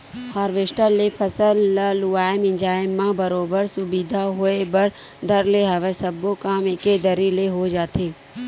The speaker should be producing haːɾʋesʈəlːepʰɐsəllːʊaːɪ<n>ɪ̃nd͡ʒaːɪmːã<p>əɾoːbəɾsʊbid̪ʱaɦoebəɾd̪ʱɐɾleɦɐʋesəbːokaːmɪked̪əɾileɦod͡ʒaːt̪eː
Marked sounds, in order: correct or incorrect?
incorrect: m, incorrect: b

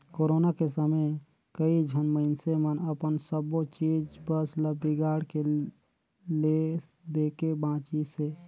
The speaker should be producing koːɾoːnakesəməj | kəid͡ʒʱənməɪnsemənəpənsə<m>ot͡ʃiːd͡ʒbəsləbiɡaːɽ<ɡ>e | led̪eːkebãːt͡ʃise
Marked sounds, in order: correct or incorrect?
incorrect: b, incorrect: k

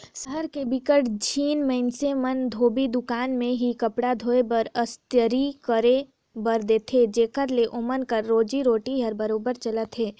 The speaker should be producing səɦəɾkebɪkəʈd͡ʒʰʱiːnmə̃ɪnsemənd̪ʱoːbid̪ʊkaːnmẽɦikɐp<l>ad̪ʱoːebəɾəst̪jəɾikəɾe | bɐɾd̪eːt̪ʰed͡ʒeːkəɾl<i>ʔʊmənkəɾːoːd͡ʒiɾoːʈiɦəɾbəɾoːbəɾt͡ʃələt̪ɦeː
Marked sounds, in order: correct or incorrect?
incorrect: ɽ, incorrect: e

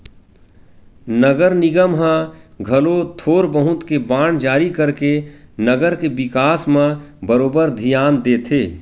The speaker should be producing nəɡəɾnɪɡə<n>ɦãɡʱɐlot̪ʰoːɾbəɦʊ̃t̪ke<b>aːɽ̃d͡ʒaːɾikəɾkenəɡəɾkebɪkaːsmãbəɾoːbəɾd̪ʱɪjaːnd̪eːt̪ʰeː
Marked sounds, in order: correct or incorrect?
incorrect: m, correct

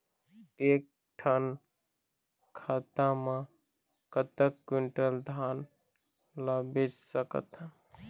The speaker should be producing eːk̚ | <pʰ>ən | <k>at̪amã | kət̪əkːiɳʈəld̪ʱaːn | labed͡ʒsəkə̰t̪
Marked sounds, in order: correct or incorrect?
incorrect: ʈʰ, incorrect: kʰ

